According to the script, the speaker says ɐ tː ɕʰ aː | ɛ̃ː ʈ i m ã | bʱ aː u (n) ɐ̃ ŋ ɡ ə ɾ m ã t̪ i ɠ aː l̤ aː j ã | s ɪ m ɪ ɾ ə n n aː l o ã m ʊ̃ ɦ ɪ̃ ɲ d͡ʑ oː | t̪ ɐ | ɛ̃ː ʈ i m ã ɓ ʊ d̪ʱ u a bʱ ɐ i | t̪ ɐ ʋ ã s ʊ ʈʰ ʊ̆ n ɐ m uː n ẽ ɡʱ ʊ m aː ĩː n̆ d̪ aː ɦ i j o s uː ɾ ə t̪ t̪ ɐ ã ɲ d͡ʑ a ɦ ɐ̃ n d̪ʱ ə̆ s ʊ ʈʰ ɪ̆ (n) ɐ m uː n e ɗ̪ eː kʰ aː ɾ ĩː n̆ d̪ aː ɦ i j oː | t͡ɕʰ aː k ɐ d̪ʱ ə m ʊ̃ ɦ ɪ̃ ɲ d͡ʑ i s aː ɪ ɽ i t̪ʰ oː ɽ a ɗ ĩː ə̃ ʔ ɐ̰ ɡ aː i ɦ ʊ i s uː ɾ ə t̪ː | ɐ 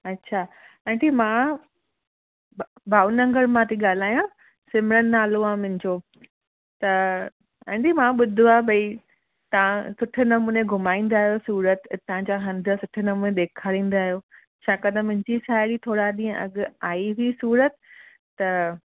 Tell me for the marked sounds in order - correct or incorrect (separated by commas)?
correct, correct